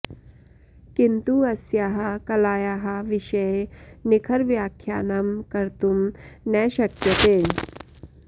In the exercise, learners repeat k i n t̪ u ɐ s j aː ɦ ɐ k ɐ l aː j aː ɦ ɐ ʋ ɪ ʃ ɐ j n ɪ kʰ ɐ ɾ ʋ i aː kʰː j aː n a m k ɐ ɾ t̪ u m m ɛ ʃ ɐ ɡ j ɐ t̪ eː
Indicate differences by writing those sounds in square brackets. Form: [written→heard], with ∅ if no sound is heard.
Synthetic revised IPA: k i n t̪ u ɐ s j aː ɦ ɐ k ɐ l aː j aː ɦ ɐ ʋ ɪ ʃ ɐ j n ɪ kʰ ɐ ɾ ʋ [i→j] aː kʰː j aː n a m k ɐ ɾ t̪ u m [m→n] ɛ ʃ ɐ [ɡ→k] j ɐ t̪ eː